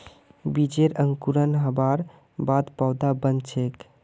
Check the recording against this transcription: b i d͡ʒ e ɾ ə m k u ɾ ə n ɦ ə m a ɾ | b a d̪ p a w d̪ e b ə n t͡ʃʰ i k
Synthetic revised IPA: b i d͡ʒ e ɾ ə ŋ k u ɾ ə n ɦ ə b a ɾ | b a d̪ p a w d̪ a b ə n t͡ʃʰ e k